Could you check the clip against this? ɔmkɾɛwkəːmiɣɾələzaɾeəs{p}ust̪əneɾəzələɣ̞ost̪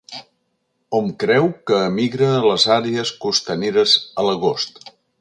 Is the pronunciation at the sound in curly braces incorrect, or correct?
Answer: incorrect